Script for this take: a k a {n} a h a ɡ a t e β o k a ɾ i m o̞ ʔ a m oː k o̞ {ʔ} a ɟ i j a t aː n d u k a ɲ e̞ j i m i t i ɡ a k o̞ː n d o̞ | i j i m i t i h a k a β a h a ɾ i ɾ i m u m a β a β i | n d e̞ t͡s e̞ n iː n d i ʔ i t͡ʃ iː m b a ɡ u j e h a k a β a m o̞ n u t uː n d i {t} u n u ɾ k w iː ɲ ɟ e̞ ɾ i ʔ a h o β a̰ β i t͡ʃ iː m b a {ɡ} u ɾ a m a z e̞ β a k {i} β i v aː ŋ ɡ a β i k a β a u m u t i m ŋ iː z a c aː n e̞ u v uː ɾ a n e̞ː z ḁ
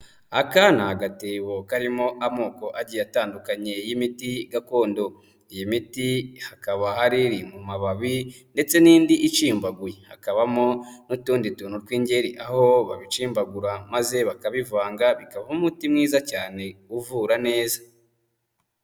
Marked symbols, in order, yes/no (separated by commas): yes, yes, yes, yes, no